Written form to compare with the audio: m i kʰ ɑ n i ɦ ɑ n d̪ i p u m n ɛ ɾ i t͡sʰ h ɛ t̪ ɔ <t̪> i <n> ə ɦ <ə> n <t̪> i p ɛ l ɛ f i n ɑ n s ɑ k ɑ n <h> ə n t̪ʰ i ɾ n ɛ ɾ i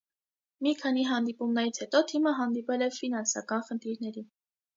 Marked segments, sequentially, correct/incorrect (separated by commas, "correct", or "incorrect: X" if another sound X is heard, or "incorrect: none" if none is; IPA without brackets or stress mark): incorrect: t̪ʰ, incorrect: m, incorrect: ɑ, incorrect: d̪, incorrect: χ